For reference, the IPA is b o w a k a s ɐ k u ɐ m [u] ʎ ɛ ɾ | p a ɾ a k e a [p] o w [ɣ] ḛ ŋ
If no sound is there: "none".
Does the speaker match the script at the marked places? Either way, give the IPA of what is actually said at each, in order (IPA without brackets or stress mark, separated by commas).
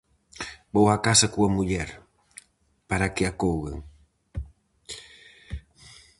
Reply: u, k, ɣ